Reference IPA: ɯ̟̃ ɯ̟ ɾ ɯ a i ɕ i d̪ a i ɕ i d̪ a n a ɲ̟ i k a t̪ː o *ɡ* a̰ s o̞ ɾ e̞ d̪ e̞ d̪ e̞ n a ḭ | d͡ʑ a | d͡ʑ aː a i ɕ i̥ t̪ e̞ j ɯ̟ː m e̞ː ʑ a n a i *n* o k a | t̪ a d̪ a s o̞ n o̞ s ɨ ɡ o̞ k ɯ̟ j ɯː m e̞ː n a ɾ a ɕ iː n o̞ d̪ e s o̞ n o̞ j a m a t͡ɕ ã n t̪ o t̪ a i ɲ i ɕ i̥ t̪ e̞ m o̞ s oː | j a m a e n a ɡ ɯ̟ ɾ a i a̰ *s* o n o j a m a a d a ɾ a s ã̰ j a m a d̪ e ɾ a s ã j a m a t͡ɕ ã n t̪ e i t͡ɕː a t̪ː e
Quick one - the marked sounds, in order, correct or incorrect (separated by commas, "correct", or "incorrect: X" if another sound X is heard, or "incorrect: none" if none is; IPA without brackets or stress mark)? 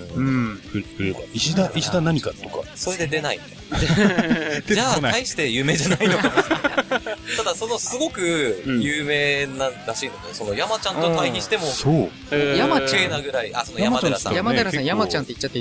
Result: incorrect: k, correct, correct